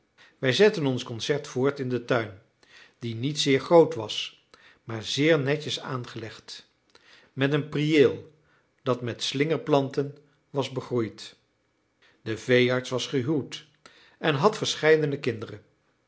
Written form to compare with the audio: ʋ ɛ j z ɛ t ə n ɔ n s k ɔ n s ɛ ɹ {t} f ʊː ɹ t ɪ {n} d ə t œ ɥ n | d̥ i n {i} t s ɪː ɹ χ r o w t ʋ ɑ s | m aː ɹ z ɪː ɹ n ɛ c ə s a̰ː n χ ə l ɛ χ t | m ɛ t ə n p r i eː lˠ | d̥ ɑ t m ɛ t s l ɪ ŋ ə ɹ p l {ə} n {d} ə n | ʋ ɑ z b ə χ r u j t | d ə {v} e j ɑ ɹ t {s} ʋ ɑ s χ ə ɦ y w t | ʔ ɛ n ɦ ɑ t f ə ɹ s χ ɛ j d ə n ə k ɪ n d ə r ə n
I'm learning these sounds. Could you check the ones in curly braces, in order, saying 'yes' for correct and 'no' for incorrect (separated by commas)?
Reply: yes, yes, yes, no, no, yes, yes